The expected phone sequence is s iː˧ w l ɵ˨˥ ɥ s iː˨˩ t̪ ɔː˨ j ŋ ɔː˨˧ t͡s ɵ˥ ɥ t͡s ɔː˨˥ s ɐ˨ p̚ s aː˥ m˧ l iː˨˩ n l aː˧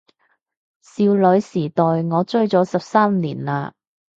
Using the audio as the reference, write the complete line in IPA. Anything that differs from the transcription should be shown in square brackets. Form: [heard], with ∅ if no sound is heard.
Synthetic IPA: s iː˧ w l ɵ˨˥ ɥ s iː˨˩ t̪ ɔː˨ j ŋ ɔː˨˧ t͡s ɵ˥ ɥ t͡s ɔː˨˥ s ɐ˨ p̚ s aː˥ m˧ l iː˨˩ n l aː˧